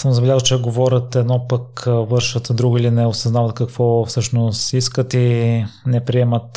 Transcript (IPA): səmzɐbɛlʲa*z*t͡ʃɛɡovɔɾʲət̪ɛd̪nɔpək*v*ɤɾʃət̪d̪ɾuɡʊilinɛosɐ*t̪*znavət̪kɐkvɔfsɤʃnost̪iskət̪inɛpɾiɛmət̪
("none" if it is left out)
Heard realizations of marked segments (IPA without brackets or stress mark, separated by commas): z, v, none